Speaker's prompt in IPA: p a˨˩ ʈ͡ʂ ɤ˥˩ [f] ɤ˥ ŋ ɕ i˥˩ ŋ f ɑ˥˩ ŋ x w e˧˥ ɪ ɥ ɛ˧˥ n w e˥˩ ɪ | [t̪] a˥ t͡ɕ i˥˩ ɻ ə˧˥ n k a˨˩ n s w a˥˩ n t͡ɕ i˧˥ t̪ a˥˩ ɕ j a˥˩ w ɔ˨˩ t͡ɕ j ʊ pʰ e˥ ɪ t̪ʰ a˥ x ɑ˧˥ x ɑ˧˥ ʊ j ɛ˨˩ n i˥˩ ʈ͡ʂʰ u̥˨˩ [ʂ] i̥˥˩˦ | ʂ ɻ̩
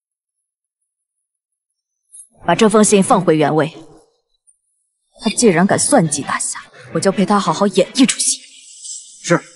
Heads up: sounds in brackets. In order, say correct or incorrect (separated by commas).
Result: correct, incorrect, incorrect